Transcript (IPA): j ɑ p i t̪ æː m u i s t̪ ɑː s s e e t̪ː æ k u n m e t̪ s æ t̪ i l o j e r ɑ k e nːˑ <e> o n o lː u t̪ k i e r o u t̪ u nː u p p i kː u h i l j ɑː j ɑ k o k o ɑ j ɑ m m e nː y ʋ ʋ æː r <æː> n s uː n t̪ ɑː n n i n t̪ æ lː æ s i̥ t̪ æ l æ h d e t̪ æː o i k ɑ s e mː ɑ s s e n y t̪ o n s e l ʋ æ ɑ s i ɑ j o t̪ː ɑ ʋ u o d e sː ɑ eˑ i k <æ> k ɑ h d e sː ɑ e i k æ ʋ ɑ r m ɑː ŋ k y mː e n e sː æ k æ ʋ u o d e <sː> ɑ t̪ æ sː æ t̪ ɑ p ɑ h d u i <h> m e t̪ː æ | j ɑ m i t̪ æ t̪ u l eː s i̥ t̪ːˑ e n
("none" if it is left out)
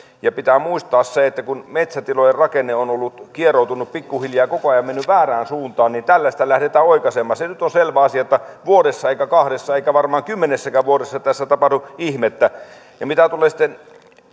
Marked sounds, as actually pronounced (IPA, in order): e, æː, æ, sː, h

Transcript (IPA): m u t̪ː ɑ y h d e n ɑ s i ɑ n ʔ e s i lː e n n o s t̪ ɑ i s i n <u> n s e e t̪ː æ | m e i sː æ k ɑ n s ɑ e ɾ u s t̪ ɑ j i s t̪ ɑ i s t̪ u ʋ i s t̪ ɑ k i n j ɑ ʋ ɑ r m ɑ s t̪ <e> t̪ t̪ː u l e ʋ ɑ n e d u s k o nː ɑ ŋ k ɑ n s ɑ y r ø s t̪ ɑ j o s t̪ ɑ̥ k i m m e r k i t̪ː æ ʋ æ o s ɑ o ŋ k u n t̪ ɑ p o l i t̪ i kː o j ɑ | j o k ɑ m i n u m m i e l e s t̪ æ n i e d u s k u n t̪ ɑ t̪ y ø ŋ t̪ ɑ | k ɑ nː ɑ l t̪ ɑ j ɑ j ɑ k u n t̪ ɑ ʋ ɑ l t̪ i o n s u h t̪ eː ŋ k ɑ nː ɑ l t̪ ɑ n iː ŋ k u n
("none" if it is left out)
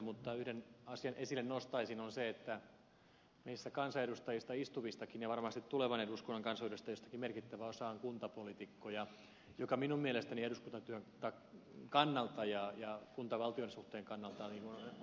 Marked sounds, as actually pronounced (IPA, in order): o, i

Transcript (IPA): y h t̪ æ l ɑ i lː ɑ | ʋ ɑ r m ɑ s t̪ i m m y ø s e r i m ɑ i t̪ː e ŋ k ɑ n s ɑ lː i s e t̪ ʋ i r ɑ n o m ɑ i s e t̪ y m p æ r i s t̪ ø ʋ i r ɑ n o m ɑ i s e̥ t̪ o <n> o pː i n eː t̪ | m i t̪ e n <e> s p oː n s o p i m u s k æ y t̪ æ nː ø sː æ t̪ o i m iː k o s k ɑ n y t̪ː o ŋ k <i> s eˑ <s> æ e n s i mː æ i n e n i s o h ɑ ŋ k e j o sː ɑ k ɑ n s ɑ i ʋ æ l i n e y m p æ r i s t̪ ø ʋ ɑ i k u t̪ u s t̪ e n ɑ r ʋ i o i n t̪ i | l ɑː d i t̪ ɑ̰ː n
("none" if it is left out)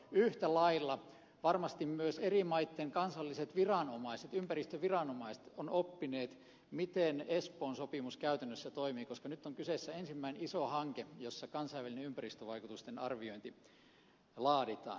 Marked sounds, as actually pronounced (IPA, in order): n, e, y, sː

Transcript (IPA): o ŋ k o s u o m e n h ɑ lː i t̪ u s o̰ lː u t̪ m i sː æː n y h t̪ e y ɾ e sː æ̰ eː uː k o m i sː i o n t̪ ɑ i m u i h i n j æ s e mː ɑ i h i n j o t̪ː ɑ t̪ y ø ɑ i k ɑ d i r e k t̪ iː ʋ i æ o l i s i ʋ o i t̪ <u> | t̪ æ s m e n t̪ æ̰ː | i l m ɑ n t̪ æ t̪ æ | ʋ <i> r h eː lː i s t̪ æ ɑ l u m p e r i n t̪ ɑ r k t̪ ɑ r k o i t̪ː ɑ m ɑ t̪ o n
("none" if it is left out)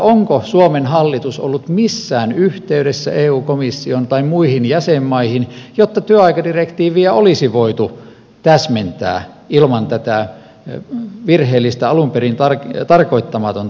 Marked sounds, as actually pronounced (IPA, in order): u, i

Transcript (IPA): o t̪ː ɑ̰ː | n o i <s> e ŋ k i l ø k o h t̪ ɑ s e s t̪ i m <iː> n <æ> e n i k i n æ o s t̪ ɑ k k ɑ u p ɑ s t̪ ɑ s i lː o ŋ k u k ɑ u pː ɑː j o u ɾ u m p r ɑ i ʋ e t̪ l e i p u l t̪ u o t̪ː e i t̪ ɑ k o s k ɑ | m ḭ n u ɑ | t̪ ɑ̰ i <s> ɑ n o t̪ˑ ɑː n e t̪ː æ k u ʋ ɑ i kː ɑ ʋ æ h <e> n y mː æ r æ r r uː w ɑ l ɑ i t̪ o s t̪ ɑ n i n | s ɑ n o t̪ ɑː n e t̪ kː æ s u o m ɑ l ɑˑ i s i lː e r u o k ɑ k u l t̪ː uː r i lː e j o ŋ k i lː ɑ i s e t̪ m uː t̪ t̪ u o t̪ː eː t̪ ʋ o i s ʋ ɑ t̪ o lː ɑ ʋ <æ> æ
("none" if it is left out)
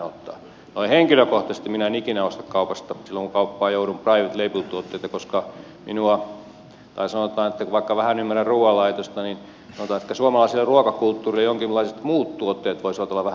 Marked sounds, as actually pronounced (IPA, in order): h, i, æ, s, æ, æ

